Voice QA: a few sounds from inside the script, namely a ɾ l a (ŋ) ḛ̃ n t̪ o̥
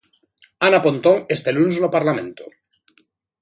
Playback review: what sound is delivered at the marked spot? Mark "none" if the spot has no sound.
m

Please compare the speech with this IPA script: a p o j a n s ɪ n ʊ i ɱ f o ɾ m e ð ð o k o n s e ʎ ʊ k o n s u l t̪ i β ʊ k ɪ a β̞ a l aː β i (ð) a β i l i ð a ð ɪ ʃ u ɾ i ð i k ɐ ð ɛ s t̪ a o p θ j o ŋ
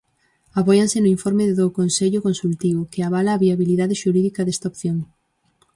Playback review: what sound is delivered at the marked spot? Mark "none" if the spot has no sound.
none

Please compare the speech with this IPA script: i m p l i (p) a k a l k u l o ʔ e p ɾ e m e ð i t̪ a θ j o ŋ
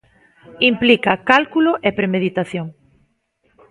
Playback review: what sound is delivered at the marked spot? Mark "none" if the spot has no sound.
k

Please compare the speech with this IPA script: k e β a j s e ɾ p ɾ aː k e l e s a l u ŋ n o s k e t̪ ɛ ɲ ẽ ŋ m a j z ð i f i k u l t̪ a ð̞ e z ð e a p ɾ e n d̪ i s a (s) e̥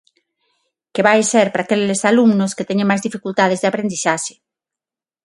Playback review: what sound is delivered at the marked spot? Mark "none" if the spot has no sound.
ʃ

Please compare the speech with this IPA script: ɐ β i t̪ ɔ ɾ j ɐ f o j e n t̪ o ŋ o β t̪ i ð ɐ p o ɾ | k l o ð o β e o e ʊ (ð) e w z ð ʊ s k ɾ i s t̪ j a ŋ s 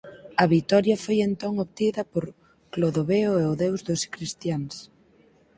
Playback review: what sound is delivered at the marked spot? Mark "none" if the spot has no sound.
ð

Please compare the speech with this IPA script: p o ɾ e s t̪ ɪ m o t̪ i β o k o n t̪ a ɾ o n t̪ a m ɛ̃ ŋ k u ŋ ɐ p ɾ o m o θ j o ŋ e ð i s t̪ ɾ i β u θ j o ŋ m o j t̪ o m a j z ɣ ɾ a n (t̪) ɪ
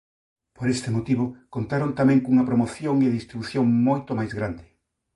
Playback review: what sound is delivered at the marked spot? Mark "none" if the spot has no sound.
d̪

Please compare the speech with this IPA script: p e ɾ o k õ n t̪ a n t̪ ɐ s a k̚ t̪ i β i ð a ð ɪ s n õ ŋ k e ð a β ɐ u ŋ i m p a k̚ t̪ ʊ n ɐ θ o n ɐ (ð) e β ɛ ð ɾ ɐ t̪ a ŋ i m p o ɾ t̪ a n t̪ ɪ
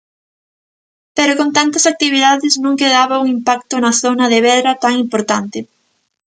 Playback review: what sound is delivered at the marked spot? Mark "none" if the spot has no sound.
ð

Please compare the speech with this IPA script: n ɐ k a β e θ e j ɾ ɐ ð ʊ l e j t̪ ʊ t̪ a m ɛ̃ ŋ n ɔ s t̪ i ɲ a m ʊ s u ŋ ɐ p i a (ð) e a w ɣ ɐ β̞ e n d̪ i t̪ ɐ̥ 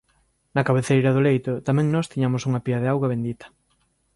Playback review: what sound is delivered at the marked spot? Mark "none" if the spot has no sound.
ð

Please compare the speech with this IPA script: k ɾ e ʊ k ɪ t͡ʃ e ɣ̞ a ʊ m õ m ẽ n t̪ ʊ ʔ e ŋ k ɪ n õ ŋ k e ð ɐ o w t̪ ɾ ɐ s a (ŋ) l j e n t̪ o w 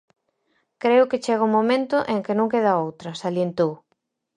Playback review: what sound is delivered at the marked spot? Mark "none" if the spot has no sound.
none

